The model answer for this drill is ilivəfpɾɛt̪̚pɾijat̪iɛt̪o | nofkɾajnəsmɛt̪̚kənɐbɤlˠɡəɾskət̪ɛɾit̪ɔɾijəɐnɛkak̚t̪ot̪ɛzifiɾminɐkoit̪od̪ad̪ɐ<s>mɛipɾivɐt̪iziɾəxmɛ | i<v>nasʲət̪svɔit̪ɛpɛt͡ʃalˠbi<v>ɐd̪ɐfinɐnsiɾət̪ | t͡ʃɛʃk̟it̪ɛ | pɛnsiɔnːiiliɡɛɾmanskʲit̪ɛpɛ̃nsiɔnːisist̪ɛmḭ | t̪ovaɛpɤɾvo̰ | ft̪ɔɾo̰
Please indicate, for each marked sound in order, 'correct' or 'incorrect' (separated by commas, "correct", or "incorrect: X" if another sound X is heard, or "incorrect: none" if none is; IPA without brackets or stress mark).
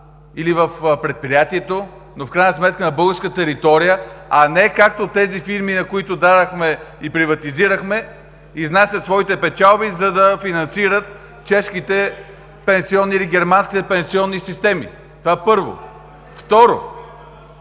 incorrect: x, incorrect: z, incorrect: z